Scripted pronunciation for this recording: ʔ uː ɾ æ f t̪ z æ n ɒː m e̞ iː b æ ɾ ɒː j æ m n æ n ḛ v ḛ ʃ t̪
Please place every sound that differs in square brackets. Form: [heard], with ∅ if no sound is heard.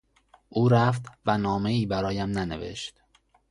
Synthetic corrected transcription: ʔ uː ɾ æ f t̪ [v] æ n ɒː m e̞ iː b æ ɾ ɒː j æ m n æ n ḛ v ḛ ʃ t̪

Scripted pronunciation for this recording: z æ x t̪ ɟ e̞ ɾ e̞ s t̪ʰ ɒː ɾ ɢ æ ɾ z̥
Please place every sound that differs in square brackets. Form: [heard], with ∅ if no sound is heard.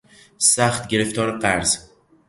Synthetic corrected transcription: [s] æ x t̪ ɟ e̞ ɾ e̞ [f] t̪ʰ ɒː ɾ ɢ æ ɾ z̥

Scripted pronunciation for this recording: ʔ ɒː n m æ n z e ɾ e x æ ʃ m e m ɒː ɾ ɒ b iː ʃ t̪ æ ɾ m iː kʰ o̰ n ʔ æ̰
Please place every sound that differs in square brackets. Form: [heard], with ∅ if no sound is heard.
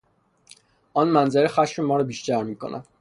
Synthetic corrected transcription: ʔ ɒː n m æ n z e ɾ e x æ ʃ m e m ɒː ɾ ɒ b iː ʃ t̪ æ ɾ m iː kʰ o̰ n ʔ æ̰

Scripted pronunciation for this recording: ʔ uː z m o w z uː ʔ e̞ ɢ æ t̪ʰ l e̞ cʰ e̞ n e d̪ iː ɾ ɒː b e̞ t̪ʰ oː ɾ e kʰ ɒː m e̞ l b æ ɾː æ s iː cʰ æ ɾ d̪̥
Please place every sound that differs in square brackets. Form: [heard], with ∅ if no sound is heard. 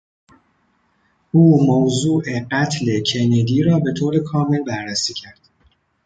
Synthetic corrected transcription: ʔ uː [∅] m o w z uː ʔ e̞ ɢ æ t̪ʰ l e̞ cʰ e̞ n e d̪ iː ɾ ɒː b e̞ t̪ʰ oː ɾ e kʰ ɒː m e̞ l b æ ɾː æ s iː cʰ æ ɾ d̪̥

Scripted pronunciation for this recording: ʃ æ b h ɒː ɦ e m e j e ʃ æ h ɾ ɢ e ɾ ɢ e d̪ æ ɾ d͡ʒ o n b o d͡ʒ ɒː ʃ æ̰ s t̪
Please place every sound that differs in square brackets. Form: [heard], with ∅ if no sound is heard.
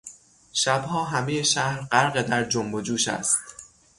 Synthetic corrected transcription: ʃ æ b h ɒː ɦ [æ] m e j e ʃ æ h ɾ ɢ [æ] ɾ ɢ e d̪ æ ɾ d͡ʒ o [m] b o d͡ʒ [uː] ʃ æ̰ s t̪

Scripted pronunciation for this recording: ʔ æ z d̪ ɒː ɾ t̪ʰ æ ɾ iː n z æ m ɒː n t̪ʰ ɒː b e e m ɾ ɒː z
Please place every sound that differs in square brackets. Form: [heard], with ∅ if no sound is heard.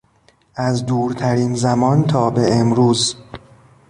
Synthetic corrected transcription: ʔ æ z d̪ [uː] ɾ t̪ʰ æ ɾ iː n z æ m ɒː n t̪ʰ ɒː b e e m ɾ [uː] z

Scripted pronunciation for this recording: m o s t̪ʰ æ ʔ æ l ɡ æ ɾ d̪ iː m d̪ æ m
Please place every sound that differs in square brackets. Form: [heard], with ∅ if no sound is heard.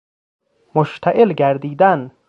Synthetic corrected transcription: m o [ʃ] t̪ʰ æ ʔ [e] l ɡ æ ɾ d̪ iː [∅] d̪ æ [n]

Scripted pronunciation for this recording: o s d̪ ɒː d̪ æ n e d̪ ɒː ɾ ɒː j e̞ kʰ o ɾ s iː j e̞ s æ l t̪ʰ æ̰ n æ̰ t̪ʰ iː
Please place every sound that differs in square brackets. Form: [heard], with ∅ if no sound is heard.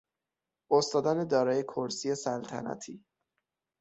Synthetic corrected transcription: o s [t̪] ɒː d̪ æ n e d̪ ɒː ɾ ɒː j e̞ kʰ o ɾ s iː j e̞ s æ l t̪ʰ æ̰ n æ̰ t̪ʰ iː

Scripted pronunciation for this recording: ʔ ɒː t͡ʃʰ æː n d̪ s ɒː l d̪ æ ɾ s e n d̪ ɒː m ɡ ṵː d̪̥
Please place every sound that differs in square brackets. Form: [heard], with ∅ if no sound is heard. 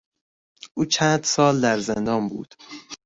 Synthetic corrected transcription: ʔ [uː] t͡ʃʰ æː n d̪ s ɒː l d̪ æ ɾ [z] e n d̪ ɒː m [b] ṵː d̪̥

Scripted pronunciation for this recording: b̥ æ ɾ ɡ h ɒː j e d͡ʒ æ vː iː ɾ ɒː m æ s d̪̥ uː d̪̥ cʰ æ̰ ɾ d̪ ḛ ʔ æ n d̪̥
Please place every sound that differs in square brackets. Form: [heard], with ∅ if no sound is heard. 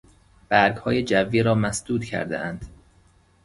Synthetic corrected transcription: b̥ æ ɾ ɡ h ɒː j e d͡ʒ æ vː iː ɾ ɒː m æ s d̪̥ uː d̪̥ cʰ æ̰ ɾ d̪ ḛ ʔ æ n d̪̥

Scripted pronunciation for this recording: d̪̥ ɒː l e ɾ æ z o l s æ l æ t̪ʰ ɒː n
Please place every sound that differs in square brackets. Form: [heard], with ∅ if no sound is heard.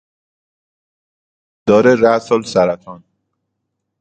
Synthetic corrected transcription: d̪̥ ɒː [ɾ] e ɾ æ [s] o l s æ [ɾ] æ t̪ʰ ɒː n

